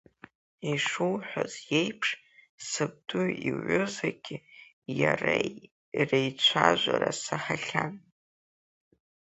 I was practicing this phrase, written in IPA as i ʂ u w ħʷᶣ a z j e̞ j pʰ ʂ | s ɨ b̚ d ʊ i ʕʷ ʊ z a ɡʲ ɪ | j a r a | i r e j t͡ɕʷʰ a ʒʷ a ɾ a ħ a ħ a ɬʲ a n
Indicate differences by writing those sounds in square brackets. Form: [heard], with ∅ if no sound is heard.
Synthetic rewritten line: i ʂ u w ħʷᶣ a z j e̞ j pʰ ʂ | s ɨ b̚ d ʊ i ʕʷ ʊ z a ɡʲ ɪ | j a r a | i r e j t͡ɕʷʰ a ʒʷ a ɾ a [s] a ħ a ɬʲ a n